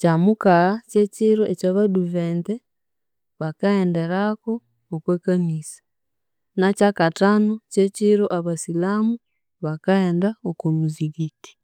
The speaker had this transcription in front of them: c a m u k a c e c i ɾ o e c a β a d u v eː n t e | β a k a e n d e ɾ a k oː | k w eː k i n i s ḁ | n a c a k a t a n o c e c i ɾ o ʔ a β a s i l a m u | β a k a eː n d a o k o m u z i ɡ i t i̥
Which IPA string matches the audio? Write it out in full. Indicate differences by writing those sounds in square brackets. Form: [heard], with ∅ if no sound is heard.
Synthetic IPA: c a m u k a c e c i ɾ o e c a β a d u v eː n t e | β a k a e n d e ɾ a k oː | k w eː k [a] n i s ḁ | n a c a k a t a n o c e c i ɾ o ʔ a β a s i l a m u | β a k a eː n d a o k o m u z i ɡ i t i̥